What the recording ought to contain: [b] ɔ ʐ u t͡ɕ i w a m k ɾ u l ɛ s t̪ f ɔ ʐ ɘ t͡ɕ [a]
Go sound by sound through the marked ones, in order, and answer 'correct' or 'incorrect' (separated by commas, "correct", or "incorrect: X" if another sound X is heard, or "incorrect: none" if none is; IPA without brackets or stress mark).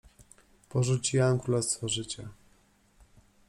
incorrect: p, correct